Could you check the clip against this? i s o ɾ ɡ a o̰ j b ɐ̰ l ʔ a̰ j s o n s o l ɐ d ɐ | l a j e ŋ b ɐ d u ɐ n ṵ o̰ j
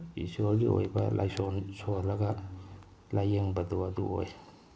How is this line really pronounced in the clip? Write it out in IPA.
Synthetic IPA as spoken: i s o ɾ ɡ i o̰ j b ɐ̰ l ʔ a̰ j s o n s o l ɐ ɡ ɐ | l a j e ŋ b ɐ d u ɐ d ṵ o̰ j

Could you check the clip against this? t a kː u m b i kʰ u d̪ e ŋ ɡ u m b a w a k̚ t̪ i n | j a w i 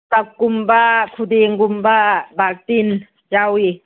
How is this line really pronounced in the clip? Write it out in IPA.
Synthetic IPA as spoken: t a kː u m b a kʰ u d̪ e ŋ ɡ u m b a b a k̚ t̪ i n | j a w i

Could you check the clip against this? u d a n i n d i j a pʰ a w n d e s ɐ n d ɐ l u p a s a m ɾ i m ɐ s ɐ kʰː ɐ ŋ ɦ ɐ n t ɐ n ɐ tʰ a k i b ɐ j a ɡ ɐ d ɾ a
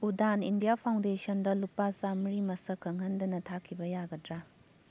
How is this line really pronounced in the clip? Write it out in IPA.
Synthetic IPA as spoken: u d a n i n d i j a pʰ a w n d e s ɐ n d ɐ l u p a s a m ɾ i m ɐ s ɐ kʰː ɐ ŋ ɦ ɐ n d ɐ n ɐ tʰ a kʰ i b ɐ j a ɡ ɐ d ɾ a

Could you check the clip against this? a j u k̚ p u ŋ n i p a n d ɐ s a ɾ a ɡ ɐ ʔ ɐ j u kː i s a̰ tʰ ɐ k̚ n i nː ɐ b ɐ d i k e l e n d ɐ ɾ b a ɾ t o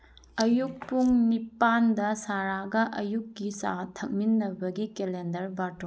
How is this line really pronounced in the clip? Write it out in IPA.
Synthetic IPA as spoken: ɐ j u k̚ p u ŋ n i p a n d ɐ s a ɾ a ɡ ɐ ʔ ɐ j u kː i s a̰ tʰ ɐ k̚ m i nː ɐ b ɐ ɡ i k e l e n d ɐ ɾ b a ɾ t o

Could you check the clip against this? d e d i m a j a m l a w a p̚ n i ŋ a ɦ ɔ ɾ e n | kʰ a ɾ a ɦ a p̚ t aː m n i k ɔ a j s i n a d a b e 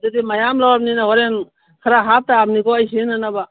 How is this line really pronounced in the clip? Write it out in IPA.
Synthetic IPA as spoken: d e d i m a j a m l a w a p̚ n i n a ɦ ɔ ɾ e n | kʰ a ɾ a ɦ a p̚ t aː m n i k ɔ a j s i n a n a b a

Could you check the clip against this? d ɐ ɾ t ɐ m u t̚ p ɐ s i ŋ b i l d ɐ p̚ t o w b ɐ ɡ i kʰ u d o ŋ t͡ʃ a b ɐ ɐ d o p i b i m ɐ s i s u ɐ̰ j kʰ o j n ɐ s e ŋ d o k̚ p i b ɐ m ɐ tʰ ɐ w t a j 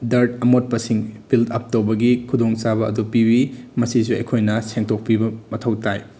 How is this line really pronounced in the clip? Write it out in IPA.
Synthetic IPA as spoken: d ɐ ɾ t ɐ m o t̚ p ɐ s i ŋ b i l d ɐ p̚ t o w b ɐ ɡ i kʰ u d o ŋ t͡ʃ a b ɐ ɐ d u p i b i m ɐ s i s u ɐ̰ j kʰ o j n ɐ s e ŋ t o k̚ p i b ɐ m ɐ tʰ ɐ w t a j

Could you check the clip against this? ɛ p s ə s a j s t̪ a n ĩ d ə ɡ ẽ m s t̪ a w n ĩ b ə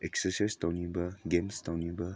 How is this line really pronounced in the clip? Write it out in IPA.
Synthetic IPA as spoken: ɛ k s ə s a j s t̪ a n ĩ b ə ɡ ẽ m s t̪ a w n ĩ b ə

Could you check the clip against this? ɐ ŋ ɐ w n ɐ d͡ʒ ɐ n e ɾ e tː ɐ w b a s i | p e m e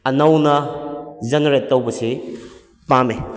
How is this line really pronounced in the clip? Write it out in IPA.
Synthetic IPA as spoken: ɐ n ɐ w n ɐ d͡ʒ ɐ n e ɾ e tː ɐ w b ɐ s i | p a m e

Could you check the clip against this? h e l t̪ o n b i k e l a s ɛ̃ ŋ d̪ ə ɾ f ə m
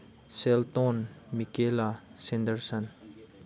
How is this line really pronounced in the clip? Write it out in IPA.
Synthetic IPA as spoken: s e l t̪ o n m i k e l a s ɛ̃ n d̪ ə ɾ s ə n

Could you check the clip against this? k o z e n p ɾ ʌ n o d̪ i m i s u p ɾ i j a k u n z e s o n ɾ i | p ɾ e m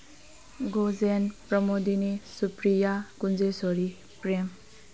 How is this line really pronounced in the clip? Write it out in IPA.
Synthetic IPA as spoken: ɡ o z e n p ɾ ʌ m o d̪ i n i s u p ɾ i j a k u n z e s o ɾ i | p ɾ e m

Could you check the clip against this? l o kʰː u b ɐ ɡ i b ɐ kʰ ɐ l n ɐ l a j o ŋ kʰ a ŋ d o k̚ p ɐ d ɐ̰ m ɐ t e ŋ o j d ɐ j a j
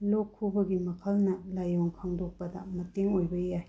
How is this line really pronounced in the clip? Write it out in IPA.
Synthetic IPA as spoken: l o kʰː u b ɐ ɡ i m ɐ kʰ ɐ l n ɐ l a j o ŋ kʰ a ŋ d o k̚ p ɐ d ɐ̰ m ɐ t e ŋ o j b ɐ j a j

